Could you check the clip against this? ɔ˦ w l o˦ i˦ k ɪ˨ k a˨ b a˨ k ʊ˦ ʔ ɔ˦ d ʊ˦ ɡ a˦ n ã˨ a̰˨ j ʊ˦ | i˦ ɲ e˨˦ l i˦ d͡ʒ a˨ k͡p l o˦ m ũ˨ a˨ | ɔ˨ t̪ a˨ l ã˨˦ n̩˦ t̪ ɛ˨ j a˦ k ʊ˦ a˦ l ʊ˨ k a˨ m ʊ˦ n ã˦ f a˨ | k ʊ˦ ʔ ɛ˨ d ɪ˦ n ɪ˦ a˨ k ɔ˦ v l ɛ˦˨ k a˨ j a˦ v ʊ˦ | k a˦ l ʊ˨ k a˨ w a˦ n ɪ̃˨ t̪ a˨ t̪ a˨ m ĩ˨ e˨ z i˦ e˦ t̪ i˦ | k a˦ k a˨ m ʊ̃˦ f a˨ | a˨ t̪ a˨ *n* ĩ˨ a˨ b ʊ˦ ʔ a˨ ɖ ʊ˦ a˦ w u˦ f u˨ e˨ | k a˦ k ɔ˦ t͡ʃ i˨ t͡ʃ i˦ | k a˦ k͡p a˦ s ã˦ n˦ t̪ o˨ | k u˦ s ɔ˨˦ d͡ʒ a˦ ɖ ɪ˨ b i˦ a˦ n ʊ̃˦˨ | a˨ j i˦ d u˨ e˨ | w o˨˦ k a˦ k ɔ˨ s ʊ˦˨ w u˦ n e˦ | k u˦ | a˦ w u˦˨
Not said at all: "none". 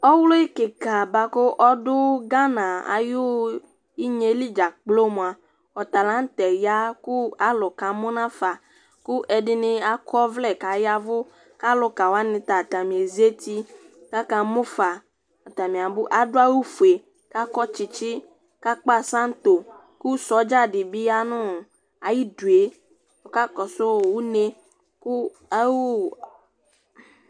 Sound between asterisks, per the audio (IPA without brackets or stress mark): m